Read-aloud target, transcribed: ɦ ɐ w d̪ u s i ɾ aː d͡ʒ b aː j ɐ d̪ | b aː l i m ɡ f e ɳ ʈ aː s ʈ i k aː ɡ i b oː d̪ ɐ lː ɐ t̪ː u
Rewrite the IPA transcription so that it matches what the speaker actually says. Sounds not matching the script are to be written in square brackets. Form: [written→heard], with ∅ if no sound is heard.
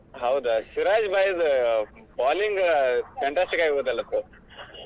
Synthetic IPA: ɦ ɐ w d̪ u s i ɾ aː d͡ʒ b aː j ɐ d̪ | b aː l i [m→ŋ] ɡ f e ɳ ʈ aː s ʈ i k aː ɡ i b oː d̪ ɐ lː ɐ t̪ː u